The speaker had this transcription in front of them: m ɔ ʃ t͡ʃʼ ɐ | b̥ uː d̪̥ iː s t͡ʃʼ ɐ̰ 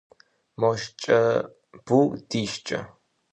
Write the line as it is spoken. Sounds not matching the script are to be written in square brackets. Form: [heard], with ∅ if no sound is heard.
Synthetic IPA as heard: m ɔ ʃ t͡ʃʼ ɐ | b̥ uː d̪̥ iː [ʃ] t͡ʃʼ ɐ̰